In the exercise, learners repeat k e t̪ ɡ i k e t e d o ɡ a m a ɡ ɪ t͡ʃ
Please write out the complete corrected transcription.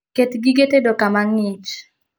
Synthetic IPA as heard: k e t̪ ɡ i ɡ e t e d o k a m a ŋ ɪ t͡ʃ